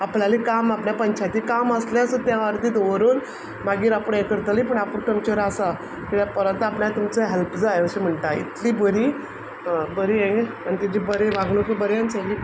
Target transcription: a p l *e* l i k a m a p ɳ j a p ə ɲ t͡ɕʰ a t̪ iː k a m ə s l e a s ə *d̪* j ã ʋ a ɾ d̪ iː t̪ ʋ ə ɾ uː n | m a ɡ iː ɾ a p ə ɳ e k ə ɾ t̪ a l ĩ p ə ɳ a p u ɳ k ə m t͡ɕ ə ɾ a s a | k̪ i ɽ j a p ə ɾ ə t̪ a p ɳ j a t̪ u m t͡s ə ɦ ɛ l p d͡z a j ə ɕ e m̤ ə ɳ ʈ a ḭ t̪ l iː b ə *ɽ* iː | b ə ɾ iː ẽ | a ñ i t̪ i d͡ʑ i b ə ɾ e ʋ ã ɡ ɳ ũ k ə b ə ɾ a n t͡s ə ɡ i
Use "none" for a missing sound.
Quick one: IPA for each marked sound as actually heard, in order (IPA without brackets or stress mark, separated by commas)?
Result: a, t̪, ɾ